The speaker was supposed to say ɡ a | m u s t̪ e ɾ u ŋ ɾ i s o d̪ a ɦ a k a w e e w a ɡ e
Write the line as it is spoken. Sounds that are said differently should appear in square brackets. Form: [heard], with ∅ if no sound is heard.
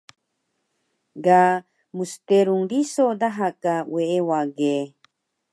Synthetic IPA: ɡ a | m u s t̪ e ɾ u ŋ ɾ i s o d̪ a ɦ a k a w e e w a ɡ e